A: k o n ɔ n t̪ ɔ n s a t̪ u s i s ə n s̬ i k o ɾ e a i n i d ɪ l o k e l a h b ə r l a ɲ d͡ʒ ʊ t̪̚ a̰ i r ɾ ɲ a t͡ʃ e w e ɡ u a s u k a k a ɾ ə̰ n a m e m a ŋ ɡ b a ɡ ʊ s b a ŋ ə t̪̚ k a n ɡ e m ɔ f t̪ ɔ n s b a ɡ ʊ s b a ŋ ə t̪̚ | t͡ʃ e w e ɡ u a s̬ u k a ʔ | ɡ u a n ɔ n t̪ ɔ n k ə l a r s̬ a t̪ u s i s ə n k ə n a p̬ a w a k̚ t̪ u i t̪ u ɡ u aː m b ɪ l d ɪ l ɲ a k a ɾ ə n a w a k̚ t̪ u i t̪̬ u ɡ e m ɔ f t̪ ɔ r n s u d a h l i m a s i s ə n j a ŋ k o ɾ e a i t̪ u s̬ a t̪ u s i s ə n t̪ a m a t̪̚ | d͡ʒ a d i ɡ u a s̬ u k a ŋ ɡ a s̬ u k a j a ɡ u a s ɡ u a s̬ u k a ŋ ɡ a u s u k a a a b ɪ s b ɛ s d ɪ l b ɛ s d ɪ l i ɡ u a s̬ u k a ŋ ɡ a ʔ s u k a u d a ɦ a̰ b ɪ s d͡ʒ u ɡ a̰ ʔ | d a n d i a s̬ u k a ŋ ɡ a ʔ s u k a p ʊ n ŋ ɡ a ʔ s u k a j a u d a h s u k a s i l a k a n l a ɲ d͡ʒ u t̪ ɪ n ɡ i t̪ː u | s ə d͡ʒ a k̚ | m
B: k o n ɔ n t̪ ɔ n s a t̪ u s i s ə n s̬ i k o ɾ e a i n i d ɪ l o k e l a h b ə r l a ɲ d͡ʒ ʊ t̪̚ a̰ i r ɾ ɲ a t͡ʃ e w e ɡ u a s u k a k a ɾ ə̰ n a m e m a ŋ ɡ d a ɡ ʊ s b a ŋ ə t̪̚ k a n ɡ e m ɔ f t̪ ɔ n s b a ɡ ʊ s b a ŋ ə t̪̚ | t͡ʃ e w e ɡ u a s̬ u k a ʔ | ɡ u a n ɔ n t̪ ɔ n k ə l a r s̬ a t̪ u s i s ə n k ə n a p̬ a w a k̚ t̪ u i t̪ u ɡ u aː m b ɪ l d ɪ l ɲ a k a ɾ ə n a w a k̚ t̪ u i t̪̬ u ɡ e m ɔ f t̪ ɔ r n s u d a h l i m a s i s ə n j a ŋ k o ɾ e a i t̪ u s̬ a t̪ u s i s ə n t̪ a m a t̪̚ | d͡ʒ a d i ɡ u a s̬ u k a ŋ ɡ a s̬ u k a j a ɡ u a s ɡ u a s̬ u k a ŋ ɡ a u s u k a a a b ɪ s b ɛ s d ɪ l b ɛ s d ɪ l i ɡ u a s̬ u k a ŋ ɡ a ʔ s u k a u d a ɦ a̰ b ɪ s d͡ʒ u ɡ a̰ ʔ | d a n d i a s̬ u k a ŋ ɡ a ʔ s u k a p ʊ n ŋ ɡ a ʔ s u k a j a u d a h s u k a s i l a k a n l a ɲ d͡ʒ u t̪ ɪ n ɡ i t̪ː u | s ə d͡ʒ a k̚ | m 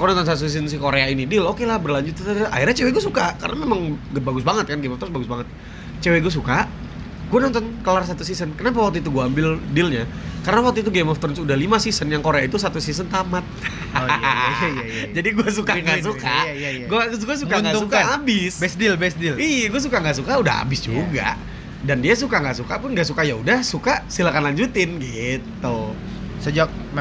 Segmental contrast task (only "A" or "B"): A